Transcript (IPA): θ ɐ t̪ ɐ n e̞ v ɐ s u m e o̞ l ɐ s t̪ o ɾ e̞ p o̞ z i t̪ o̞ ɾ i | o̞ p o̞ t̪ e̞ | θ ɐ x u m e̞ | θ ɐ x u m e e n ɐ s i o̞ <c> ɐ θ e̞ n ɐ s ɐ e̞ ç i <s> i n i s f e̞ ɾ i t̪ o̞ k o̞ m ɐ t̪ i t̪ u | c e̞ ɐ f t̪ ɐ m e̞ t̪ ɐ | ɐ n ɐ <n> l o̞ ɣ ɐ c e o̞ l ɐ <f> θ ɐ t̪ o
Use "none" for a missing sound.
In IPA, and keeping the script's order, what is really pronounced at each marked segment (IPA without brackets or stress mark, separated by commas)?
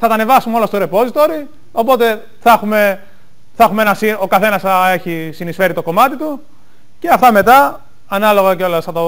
k, s, none, s